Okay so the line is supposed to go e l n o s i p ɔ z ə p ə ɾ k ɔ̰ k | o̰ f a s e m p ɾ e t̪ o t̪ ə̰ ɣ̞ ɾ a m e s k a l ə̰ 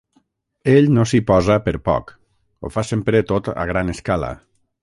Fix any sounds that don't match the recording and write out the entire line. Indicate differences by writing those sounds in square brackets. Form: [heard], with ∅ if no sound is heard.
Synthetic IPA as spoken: e [ʎ] n o s i p ɔ z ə p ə ɾ [p] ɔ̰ k | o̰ f a s e m p ɾ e t̪ o t̪ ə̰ ɣ̞ ɾ a [n] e s k a l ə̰